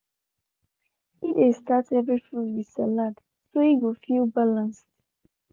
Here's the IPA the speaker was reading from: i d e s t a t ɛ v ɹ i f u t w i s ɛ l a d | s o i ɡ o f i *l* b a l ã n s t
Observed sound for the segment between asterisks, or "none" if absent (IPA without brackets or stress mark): l